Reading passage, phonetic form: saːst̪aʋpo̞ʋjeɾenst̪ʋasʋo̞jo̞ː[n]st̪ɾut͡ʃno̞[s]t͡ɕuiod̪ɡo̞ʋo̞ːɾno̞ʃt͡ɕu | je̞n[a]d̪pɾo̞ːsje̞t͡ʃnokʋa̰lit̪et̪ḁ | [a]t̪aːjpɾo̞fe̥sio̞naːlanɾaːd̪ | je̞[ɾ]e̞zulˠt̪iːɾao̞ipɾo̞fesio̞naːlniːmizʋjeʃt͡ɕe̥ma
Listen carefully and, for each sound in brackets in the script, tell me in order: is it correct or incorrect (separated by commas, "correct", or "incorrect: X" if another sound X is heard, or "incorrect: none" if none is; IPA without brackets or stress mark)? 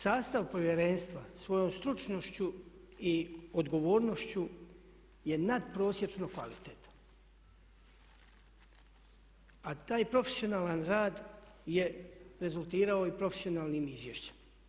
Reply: incorrect: m, incorrect: ʃ, correct, correct, correct